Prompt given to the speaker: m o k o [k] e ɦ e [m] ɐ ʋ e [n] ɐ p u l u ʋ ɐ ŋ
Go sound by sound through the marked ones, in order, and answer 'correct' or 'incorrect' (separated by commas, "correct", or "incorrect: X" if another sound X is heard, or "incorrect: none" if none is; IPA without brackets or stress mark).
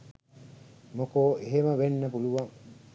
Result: incorrect: none, correct, incorrect: nː